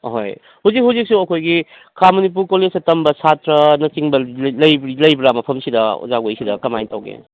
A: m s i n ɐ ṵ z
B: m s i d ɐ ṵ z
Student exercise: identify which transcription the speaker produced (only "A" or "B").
B